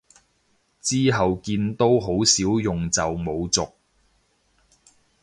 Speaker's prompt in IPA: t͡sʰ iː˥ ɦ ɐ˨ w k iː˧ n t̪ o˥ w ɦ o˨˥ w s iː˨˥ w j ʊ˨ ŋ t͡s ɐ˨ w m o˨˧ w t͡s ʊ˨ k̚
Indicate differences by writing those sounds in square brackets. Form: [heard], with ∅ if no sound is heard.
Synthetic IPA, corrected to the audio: [t͡s] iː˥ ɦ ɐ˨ w k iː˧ n t̪ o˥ w ɦ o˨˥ w s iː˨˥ w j ʊ˨ ŋ t͡s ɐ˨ w m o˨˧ w t͡s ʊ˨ k̚